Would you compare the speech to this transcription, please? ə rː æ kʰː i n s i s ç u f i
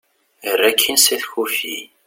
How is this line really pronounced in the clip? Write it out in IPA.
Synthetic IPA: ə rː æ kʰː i n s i θ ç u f i